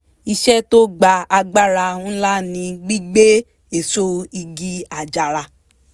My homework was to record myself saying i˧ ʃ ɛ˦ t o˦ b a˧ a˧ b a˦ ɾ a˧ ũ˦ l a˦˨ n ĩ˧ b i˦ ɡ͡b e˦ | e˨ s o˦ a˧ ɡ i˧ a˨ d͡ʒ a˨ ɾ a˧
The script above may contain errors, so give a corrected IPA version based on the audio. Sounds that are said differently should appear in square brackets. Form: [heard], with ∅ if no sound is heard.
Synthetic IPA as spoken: i˧ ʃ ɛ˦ t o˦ [ɡ͡b] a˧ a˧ [ɡ͡b] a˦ ɾ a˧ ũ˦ l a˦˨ n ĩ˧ [ɡ͡b] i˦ ɡ͡b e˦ | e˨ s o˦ [i˧] ɡ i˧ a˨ d͡ʒ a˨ ɾ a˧